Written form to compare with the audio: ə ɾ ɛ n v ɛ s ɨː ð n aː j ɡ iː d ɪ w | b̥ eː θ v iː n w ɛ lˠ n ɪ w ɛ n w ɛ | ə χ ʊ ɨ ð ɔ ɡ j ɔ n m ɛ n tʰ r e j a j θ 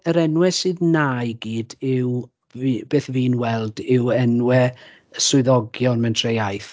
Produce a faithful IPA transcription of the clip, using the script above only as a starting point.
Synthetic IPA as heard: ə ɾ ɛ n w ɛ s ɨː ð n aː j ɡ iː d ɪ w | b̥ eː θ v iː n w ɛ lˠ d ɪ w ɛ n w ɛ | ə s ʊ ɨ ð ɔ ɡ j ɔ n m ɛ n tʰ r e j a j θ